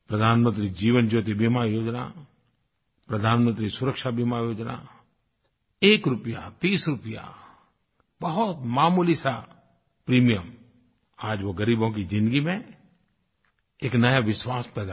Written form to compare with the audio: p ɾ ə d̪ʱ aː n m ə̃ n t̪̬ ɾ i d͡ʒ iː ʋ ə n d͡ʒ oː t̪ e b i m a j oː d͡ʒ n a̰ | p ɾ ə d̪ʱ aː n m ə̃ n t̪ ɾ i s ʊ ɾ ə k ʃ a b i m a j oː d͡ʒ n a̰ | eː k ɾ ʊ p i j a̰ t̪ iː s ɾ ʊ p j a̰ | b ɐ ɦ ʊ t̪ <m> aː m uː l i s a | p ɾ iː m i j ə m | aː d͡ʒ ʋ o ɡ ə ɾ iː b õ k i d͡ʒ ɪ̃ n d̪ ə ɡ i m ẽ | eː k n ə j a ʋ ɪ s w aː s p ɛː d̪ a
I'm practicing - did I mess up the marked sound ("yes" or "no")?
no